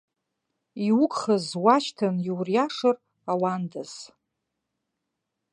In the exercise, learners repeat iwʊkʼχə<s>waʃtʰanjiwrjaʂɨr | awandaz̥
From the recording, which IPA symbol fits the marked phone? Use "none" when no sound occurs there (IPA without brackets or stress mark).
z